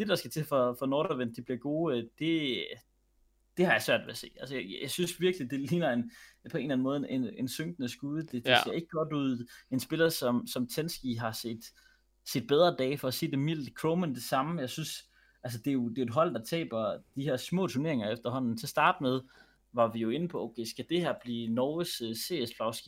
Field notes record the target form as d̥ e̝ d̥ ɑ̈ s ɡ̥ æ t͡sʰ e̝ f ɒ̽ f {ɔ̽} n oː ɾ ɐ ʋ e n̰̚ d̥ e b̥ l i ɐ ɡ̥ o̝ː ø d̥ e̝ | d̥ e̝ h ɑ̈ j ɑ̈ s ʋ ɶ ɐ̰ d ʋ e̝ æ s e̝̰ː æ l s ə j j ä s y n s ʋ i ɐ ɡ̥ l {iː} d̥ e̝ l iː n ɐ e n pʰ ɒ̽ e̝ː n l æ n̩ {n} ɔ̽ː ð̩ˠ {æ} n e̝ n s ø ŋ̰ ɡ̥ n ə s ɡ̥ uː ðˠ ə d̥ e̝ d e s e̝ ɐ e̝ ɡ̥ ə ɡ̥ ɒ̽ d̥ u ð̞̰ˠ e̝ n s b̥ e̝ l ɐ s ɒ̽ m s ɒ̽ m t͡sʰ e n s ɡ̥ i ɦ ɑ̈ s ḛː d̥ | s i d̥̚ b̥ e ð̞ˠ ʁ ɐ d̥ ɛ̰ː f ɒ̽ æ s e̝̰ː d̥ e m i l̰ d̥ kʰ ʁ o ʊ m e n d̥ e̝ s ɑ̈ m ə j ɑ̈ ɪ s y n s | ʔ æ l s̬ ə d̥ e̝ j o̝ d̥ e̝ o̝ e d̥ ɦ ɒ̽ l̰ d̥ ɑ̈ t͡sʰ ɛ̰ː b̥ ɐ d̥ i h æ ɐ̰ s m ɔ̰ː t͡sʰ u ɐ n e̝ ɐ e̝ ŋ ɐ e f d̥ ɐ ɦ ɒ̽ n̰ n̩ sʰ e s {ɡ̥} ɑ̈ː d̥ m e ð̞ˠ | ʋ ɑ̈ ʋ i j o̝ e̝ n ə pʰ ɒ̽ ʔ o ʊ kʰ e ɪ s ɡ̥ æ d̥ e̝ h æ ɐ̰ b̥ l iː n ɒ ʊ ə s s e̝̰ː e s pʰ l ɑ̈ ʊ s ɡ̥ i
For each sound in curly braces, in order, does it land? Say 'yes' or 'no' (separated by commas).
no, no, no, no, no